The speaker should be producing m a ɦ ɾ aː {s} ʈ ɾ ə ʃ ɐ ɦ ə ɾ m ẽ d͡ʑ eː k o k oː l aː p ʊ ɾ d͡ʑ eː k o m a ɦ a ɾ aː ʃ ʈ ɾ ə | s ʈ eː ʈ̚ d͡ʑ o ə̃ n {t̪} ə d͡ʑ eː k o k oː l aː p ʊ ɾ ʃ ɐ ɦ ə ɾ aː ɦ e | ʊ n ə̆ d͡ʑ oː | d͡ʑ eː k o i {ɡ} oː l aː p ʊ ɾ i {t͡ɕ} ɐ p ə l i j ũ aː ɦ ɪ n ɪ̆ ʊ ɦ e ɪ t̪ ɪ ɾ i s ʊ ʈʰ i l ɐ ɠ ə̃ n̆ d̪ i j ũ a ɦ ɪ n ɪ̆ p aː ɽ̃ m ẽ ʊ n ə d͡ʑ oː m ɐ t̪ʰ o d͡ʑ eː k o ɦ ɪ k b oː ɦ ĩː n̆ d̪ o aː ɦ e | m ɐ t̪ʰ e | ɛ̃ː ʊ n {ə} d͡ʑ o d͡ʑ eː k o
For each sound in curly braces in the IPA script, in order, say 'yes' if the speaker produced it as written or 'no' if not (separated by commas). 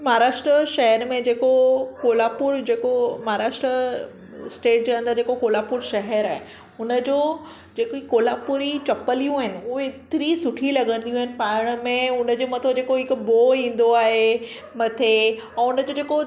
no, no, no, yes, yes